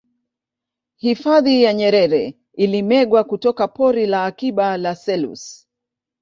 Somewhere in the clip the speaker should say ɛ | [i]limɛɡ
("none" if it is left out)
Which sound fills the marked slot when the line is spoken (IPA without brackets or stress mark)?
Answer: i